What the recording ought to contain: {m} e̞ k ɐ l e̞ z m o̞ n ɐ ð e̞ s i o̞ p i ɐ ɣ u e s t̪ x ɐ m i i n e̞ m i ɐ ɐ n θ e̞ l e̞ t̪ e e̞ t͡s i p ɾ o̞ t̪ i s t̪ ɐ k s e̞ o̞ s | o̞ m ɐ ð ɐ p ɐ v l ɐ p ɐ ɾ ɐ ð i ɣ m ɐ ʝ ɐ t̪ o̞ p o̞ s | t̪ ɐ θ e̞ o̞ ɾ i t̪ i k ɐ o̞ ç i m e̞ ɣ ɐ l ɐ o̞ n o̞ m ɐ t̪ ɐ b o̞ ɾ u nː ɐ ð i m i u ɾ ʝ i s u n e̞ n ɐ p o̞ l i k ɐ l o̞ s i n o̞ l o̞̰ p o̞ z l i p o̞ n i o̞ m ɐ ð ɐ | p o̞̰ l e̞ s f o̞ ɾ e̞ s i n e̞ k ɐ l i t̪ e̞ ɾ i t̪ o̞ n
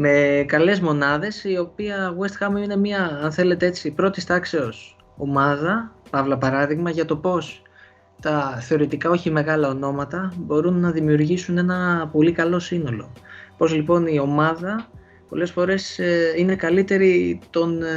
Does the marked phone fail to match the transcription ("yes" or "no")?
no